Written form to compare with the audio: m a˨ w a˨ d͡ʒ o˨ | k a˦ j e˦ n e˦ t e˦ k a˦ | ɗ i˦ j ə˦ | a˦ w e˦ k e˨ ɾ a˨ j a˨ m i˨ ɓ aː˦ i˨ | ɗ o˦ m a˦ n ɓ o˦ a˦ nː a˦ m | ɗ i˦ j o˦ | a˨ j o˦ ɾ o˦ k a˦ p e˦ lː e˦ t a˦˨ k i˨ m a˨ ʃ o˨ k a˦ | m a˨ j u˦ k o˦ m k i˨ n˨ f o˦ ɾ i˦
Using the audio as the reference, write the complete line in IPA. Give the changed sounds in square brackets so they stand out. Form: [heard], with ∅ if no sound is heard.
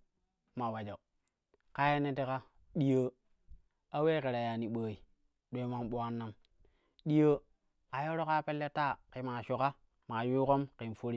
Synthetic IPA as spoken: m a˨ w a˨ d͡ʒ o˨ | k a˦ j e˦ n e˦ t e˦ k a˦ | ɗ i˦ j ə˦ | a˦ w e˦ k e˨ ɾ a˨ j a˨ [n] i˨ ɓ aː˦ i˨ | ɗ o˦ m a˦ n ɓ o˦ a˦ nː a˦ m | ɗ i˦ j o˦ | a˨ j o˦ ɾ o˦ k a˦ p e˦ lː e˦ t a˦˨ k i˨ m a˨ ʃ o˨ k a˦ | m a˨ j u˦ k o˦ m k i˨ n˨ f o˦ ɾ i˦